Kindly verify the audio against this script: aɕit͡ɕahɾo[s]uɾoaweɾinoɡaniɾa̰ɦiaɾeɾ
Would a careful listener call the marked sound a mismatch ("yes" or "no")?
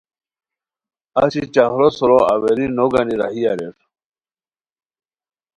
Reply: no